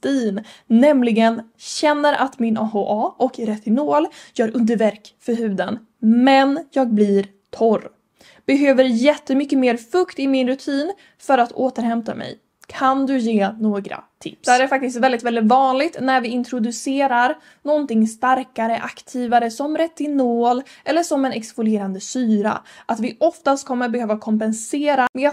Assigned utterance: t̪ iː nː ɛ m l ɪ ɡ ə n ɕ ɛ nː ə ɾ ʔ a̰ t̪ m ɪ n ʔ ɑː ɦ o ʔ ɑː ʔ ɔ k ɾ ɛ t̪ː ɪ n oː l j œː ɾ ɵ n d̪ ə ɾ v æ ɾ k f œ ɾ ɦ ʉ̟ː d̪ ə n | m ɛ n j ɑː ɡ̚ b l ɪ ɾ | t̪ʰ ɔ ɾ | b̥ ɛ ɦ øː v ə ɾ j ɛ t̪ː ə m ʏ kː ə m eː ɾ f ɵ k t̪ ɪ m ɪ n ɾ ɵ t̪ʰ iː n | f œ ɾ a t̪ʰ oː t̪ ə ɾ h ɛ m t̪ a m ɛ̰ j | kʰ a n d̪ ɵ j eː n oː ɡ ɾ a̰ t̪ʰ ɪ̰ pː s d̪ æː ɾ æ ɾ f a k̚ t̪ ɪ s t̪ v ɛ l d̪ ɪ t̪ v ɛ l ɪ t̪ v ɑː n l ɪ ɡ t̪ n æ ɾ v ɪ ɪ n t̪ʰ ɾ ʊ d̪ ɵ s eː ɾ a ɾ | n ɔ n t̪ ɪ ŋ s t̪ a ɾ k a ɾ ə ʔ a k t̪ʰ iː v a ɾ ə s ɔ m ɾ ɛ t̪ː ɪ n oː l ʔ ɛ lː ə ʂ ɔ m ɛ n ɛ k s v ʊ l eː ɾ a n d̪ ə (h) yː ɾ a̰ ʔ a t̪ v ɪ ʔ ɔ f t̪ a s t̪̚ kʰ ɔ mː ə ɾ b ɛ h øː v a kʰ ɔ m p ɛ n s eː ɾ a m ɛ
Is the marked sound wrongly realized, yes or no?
yes